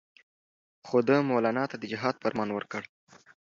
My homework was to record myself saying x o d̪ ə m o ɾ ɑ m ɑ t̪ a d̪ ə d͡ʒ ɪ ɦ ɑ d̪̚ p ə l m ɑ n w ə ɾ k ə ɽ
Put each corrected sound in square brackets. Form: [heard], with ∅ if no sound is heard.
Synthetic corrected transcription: x o d̪ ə m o [l] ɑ [n] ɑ t̪ a d̪ ə d͡ʒ ɪ ɦ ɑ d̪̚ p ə [ɾ] m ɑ n w ə ɾ k ə ɽ